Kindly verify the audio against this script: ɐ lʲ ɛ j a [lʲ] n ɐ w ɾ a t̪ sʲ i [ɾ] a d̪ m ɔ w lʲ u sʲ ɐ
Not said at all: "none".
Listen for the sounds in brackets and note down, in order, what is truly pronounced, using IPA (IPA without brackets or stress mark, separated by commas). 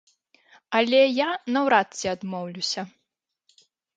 none, none